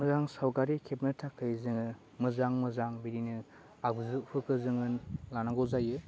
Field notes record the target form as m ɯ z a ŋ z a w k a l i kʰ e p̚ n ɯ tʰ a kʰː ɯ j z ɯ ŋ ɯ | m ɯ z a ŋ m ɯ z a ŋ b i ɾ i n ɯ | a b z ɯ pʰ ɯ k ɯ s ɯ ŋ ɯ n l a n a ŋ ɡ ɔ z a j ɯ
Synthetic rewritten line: m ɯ z a ŋ s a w k a ɾ i kʰ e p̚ n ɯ tʰ a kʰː ɯ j z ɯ ŋ ɯ | m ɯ z a ŋ m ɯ z a ŋ b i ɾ i n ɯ | a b z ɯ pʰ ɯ k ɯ z ɯ ŋ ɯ n l a n a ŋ ɡ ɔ z a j ɯ